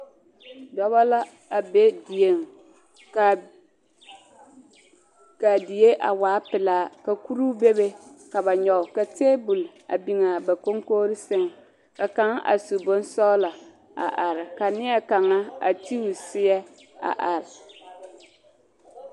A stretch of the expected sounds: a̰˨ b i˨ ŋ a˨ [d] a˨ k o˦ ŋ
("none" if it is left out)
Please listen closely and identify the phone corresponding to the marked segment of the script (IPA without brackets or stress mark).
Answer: b